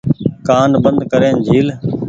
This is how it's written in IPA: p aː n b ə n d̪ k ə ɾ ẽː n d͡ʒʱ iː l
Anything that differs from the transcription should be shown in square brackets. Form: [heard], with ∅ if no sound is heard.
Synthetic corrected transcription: [k] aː n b ə n d̪ k ə ɾ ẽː n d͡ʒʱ iː l